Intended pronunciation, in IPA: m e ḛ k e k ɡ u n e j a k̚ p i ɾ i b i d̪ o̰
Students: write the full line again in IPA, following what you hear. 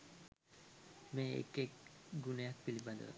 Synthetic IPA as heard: m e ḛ k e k ɡ u n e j a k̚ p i l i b a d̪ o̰